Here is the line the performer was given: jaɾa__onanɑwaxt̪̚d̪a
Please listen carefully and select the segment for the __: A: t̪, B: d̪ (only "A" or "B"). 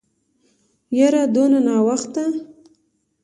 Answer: B